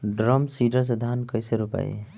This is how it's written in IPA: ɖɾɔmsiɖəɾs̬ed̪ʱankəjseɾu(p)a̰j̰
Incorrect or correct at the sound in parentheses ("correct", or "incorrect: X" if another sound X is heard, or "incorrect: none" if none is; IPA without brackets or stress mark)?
correct